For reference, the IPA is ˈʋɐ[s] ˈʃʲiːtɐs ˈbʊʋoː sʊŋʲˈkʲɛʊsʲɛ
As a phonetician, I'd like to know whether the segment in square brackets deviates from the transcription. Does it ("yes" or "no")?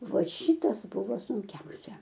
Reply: yes